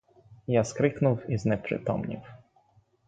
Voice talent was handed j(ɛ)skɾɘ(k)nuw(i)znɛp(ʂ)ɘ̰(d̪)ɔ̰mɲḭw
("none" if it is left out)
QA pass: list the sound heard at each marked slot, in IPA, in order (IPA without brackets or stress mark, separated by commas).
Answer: a, k, i, ʂ, t̪